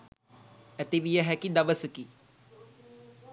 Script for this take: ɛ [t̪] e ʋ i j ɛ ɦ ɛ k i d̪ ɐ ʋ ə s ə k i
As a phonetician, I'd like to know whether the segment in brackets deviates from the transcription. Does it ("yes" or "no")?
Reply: no